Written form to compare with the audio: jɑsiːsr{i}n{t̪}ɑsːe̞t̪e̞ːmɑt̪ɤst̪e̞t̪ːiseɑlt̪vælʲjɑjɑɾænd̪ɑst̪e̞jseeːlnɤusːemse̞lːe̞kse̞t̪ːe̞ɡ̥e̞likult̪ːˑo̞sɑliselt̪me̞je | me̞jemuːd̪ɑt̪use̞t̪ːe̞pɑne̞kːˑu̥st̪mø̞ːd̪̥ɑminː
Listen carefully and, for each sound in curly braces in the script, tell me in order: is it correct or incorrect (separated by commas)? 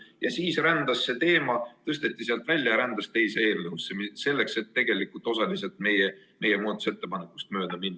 incorrect, incorrect